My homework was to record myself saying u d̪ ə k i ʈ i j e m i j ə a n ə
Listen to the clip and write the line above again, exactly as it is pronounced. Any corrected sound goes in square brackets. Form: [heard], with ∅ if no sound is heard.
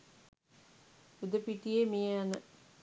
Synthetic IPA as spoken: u d̪ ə [p] i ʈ i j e m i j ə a n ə